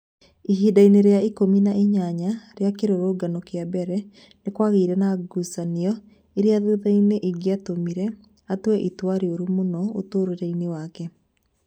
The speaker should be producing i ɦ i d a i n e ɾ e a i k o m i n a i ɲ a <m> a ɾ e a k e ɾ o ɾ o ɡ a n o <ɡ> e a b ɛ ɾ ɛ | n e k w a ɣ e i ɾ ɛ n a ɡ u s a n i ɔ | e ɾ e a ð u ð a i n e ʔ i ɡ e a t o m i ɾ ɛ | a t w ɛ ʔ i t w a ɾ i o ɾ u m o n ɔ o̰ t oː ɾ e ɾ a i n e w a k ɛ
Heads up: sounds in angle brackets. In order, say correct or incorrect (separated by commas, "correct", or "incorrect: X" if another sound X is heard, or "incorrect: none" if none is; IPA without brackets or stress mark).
incorrect: ɲ, incorrect: k